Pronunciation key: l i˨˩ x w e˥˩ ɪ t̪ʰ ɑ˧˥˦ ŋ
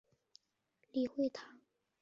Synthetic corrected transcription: l i˨˩ x w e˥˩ ɪ t̪ʰ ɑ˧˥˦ ŋ